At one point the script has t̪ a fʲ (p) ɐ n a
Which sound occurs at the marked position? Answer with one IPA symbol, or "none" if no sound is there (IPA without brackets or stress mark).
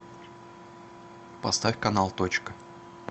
k